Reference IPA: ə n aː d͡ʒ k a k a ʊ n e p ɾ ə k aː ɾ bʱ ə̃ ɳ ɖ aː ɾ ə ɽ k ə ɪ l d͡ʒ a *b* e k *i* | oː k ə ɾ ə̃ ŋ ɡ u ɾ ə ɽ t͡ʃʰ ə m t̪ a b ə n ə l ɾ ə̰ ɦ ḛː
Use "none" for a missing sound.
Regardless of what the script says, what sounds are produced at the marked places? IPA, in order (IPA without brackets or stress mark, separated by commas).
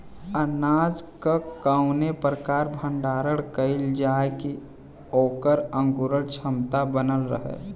none, i